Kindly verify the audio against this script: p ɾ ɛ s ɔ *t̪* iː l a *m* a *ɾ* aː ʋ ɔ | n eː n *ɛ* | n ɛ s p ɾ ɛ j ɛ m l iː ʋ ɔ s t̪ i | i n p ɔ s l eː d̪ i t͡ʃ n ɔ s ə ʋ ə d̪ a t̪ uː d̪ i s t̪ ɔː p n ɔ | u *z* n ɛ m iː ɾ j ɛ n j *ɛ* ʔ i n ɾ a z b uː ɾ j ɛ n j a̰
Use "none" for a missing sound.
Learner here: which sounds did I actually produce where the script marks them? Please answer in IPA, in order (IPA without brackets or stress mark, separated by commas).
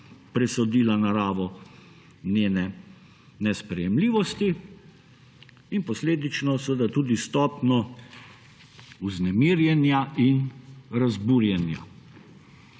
d̪, n, ɾ, ɛ, z, a